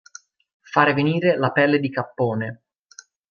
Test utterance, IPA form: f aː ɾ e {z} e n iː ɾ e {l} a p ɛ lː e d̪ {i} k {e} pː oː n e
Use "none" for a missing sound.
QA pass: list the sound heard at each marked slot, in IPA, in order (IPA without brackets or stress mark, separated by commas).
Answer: v, l, i, a